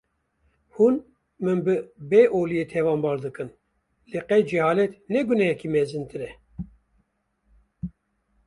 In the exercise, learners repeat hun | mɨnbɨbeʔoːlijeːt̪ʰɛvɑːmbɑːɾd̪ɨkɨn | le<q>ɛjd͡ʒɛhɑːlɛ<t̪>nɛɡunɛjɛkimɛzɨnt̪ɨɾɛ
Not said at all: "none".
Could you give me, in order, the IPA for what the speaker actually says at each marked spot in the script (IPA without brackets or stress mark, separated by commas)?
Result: q, t̪